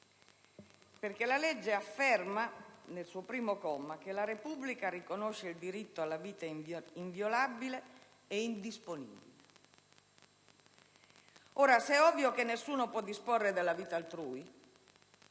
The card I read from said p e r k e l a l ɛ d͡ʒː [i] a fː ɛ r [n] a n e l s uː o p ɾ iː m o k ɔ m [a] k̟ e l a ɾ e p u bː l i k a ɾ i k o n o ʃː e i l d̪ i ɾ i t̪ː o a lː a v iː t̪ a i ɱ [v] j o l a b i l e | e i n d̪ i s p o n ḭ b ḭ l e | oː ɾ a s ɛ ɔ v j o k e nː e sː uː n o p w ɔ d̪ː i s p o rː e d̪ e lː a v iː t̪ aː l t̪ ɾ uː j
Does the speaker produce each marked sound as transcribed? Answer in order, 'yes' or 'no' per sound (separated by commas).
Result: no, no, yes, yes